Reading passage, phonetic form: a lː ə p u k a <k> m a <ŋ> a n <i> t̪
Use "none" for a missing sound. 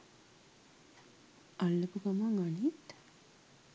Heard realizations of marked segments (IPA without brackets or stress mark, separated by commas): none, ŋ, i